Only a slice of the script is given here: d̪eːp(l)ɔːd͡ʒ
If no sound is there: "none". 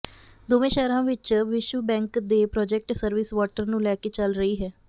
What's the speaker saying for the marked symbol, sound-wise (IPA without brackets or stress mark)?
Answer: ɾ